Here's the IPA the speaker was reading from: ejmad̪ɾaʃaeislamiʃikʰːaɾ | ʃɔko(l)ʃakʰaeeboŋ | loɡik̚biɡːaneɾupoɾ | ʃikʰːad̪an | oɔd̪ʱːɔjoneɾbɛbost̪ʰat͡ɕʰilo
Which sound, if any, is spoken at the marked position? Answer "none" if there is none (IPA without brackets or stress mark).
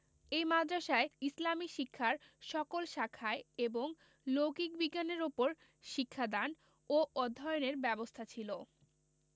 l